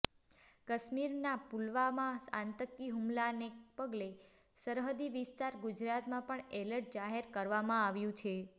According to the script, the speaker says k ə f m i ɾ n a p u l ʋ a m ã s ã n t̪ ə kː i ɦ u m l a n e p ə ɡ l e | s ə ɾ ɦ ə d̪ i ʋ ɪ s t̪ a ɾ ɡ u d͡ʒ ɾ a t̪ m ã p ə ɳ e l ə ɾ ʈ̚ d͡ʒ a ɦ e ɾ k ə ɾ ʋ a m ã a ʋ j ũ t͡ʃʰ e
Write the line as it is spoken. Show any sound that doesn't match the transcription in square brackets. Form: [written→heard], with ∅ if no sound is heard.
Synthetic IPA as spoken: k ə [f→ʃ] m i ɾ n a p u l ʋ a m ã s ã n t̪ ə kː i ɦ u m l a n e p ə ɡ l e | s ə ɾ ɦ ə d̪ i ʋ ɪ s t̪ a ɾ ɡ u d͡ʒ ɾ a t̪ m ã p ə ɳ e l ə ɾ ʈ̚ d͡ʒ a ɦ e ɾ k ə ɾ ʋ a m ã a ʋ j ũ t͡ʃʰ e